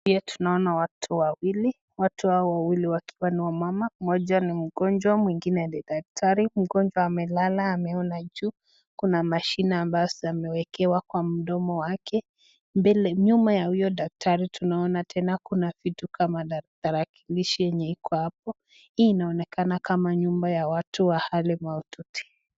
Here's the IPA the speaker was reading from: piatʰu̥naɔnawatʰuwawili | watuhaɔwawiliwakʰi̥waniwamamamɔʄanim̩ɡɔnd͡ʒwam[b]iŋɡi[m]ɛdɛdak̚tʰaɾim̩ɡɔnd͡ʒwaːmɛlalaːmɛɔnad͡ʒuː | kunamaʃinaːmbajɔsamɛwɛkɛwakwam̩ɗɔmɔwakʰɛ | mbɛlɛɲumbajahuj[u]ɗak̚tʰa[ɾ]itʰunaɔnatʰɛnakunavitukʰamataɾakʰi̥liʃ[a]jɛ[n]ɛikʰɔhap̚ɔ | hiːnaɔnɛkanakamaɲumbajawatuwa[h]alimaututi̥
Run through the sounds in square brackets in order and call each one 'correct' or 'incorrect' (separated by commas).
incorrect, incorrect, incorrect, correct, incorrect, incorrect, correct